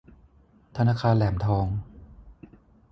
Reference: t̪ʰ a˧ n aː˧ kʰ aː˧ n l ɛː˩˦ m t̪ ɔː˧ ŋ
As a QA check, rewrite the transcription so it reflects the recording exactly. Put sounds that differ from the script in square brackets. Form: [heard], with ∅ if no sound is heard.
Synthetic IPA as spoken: t̪ʰ a˧ n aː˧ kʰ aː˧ n l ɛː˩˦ m [t̪ʰ] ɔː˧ ŋ